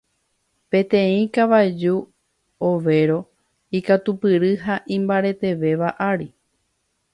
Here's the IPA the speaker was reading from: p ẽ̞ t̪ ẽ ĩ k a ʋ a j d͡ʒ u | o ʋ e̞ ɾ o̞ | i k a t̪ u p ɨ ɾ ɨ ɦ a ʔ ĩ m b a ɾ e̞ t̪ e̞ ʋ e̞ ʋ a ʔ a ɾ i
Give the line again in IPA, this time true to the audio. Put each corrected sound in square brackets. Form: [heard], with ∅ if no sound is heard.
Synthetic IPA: p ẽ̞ t̪ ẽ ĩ k a ʋ a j d͡ʒ u | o ʋ e̞ ɾ o̞ | i k a t̪ u p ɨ ɾ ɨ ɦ a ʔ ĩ m b a ɾ e̞ t̪ e̞ ʋ e̞ ʋ a ʔ a ɾ i